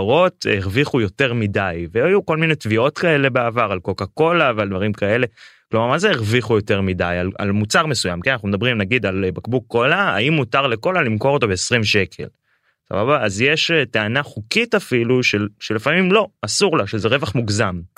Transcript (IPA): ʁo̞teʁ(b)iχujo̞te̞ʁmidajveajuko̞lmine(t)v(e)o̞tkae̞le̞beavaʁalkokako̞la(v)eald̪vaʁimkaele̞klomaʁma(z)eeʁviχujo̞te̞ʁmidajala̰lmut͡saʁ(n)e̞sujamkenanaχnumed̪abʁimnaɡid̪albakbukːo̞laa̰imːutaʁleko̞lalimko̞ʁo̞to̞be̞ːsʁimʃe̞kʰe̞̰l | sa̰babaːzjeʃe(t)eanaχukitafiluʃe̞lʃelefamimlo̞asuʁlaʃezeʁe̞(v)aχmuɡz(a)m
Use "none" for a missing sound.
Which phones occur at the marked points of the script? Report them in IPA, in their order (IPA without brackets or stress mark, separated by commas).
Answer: v, t, i, v, z, m, t, v, a